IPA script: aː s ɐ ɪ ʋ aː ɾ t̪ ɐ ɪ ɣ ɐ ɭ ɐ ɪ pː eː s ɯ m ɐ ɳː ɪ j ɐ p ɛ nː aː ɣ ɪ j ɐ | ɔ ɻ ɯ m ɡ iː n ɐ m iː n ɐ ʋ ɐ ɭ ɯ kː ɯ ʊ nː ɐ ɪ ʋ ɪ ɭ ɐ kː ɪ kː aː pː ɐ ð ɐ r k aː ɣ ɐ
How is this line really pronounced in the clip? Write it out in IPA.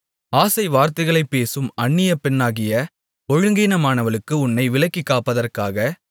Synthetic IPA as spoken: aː s ɐ ɪ ʋ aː ɾ t̪ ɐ ɪ ɣ ɐ ɭ ɐ ɪ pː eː s ɯ m ɐ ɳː ɪ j ɐ p ɛ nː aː ɣ ɪ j ɐ | ɔ ɻ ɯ ŋ ɡ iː n ɐ m aː n ɐ ʋ ɐ ɭ ɯ kː ɯ ʊ nː ɐ ɪ ʋ ɪ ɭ ɐ kː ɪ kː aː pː ɐ ð ɐ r k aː ɣ ɐ